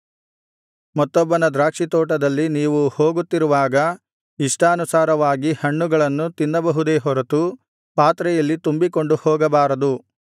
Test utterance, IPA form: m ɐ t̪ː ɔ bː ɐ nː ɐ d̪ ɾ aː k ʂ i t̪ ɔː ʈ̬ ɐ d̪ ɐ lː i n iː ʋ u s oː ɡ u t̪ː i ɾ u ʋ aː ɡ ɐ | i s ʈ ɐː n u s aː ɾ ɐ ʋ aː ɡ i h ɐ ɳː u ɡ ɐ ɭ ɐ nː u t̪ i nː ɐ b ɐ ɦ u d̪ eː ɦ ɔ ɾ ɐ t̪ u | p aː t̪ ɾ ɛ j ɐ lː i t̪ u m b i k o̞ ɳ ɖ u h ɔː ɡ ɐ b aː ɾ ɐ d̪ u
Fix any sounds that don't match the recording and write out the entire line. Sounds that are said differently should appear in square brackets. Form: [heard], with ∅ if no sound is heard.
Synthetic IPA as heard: m ɐ t̪ː ɔ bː ɐ [n] ɐ d̪ ɾ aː k ʂ i t̪ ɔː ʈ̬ ɐ d̪ ɐ lː i n iː ʋ u [h] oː ɡ u t̪ː i ɾ u ʋ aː ɡ ɐ | i [ʂ] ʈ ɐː n u s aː ɾ ɐ ʋ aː ɡ i h ɐ ɳː u ɡ ɐ ɭ ɐ nː u t̪ i nː ɐ b ɐ ɦ u d̪ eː ɦ ɔ ɾ ɐ t̪ u | p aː t̪ ɾ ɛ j ɐ lː i t̪ u m b i k o̞ ɳ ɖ u h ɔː ɡ ɐ b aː ɾ ɐ d̪ u